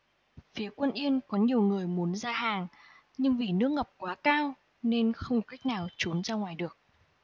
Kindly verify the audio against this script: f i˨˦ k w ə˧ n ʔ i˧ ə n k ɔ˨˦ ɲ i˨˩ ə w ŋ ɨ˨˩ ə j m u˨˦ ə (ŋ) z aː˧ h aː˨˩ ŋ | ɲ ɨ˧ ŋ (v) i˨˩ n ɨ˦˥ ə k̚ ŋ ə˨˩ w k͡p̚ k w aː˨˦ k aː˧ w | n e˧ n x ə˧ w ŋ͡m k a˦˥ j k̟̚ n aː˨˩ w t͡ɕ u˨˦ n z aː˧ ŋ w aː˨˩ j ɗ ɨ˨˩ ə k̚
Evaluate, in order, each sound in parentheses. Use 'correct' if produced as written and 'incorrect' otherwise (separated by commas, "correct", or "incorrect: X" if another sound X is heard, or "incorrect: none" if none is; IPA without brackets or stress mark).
incorrect: n, correct